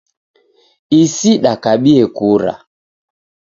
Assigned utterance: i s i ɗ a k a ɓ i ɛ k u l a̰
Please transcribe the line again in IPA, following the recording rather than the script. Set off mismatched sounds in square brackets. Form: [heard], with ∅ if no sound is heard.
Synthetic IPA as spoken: i s i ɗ a k a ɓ i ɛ k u [ɾ] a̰